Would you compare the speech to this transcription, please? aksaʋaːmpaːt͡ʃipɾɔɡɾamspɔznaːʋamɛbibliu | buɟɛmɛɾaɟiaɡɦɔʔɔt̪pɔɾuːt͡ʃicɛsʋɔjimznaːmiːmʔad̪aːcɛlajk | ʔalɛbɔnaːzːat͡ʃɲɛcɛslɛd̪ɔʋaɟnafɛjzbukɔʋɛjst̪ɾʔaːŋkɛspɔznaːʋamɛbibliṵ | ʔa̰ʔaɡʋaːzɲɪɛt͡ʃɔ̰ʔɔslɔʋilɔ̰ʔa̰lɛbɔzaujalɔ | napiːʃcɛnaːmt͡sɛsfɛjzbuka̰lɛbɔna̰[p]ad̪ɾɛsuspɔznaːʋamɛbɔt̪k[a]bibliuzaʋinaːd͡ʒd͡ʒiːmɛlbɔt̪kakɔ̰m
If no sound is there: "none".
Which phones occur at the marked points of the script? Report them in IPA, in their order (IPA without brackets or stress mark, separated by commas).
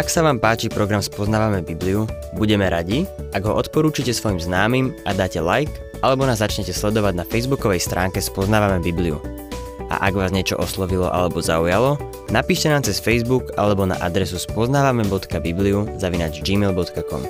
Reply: ʔ, a